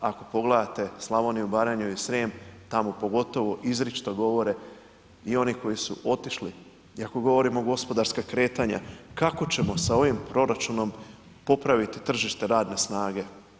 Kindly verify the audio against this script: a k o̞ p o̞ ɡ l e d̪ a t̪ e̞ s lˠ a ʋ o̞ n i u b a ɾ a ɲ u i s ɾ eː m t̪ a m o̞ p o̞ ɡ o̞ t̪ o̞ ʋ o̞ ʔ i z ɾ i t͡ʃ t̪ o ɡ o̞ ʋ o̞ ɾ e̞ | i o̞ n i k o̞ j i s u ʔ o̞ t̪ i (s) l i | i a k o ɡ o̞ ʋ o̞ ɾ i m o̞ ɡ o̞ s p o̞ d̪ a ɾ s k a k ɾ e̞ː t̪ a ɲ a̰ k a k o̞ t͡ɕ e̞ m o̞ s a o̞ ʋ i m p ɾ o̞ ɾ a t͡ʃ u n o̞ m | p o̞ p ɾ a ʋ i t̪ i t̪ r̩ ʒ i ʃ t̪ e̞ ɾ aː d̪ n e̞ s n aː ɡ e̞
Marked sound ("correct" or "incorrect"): incorrect